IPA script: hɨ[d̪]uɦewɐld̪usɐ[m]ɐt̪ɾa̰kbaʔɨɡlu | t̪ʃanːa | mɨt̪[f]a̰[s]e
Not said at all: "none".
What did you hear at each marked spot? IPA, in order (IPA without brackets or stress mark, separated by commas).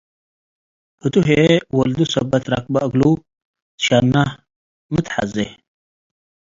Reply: t̪, b, ħ, z